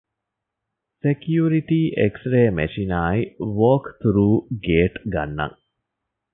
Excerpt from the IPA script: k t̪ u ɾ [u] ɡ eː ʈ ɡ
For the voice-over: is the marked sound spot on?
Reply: no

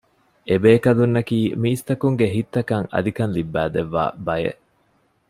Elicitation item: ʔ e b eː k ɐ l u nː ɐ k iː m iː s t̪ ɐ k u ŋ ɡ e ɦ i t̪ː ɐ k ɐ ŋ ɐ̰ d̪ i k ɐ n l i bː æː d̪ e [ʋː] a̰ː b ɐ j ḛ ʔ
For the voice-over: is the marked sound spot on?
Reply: yes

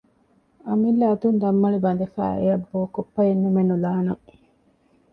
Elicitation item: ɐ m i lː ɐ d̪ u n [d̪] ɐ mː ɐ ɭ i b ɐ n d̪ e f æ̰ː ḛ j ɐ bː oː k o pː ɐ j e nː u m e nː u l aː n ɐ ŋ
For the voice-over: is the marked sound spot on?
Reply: yes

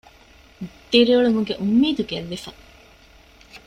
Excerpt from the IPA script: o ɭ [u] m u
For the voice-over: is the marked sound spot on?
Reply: yes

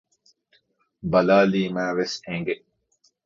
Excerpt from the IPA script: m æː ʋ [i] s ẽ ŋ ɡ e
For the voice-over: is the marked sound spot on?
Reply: no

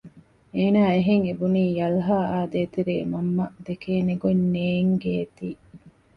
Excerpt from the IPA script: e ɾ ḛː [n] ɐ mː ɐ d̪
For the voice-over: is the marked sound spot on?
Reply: no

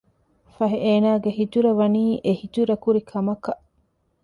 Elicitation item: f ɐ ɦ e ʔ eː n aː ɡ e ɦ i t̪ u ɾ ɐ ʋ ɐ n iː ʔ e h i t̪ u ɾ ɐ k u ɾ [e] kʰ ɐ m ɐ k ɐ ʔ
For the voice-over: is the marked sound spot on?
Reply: no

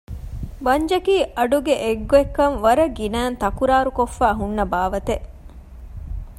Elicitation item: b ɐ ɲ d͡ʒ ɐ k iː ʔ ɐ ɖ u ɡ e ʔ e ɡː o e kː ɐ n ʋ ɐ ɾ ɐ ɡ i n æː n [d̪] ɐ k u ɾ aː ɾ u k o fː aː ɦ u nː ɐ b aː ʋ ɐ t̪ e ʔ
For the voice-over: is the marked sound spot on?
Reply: no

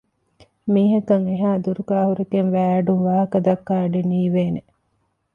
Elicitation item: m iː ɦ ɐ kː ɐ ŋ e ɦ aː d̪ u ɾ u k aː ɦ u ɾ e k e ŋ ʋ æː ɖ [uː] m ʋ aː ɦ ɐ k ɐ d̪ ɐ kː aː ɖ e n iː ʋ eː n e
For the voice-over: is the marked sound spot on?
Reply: no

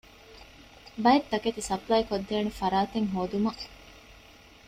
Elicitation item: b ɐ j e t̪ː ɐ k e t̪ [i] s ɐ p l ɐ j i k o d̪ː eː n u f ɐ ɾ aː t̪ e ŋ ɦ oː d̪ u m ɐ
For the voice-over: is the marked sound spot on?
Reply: yes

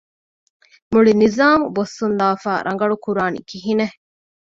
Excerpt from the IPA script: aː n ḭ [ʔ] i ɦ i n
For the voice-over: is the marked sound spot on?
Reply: no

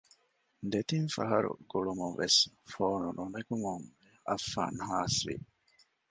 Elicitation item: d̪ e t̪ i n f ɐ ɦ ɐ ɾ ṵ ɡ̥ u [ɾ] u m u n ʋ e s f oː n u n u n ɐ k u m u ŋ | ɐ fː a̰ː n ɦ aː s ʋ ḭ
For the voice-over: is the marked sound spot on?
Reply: no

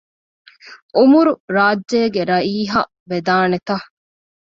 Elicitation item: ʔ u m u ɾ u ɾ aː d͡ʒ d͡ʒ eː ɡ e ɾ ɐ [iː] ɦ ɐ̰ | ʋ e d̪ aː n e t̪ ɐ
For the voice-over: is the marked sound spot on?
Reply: yes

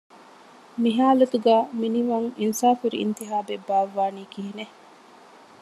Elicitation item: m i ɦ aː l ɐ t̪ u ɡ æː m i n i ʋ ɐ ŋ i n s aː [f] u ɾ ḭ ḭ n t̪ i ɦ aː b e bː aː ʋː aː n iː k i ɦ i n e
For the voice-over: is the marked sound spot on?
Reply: yes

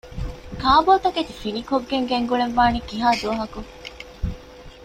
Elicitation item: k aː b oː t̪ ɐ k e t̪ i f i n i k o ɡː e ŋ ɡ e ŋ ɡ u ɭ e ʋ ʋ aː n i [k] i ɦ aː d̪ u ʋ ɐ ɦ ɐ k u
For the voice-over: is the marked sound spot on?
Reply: yes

